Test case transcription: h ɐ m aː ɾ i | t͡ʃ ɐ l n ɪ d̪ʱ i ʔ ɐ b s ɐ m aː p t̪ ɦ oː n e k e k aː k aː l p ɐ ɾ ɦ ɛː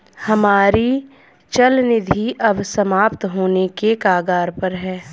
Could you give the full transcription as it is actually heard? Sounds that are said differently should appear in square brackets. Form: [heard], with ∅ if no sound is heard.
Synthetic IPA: h ɐ m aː ɾ i | t͡ʃ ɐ l n ɪ d̪ʱ i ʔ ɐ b s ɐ m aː p t̪ ɦ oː n e k e k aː [ɡ] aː [ɾ] p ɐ ɾ ɦ ɛː